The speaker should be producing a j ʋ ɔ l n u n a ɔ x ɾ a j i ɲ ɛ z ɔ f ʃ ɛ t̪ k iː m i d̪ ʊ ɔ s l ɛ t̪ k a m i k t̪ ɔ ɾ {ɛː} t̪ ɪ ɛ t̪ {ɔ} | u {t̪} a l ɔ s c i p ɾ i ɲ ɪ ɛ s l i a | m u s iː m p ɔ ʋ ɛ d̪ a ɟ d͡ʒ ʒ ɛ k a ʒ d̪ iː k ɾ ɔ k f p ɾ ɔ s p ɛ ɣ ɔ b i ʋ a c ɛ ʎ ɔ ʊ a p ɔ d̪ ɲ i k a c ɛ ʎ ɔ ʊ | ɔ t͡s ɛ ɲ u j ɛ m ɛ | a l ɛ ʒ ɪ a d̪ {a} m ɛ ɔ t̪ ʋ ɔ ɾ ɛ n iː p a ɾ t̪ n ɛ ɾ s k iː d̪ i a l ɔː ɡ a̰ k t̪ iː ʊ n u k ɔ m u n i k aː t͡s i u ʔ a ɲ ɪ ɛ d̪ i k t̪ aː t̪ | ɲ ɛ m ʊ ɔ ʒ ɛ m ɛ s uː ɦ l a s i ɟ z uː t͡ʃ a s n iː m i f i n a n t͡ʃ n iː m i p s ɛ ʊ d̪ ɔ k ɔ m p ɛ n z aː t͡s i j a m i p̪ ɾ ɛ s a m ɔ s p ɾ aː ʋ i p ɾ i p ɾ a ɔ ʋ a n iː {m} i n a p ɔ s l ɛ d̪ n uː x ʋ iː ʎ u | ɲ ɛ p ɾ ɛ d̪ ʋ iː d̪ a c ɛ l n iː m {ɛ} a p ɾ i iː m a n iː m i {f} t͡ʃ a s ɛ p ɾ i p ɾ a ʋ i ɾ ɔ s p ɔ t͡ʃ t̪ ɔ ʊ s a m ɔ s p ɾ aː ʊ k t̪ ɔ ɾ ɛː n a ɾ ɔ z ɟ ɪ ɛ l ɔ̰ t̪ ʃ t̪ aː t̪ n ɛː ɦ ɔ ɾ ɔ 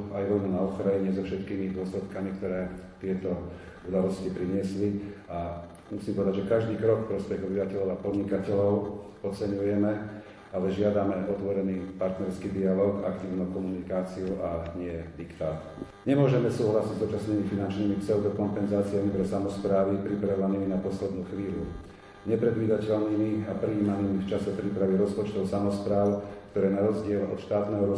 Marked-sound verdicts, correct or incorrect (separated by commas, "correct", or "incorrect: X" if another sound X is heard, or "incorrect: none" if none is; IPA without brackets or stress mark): correct, correct, incorrect: d̪, correct, correct, incorrect: i, correct